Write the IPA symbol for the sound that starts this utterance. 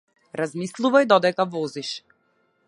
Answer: ɾ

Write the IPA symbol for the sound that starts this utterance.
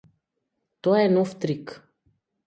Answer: t̪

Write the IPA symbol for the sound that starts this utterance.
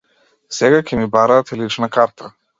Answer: s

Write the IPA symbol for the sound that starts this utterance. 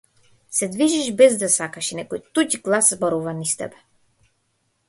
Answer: s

